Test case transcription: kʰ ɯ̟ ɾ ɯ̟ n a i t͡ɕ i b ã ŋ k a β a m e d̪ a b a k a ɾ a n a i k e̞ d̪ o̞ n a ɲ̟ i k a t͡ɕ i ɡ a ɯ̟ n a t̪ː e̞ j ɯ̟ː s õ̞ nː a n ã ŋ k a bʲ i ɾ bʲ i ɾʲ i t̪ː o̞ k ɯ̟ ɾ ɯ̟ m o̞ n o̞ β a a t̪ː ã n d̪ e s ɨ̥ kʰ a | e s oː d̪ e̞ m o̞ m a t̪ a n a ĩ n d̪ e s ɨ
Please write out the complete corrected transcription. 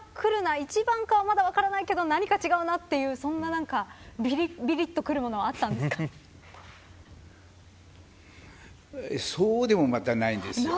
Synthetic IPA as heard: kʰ ɯ̟ ɾ ɯ̟ n a i t͡ɕ i b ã ŋ k a β a m a d̪ a β a k a ɾ a n a i k e̞ d̪ o̞ n a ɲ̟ i k a t͡ɕ i ɡ a ɯ̟ n a t̪ː e̞ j ɯ̟ː s õ̞ nː a n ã ŋ k a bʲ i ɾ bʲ i ɾʲ i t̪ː o̞ k ɯ̟ ɾ ɯ̟ m o̞ n o̞ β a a t̪ː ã n d̪ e s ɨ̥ k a | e s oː d̪ e̞ m o̞ m a t̪ a n a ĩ n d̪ e s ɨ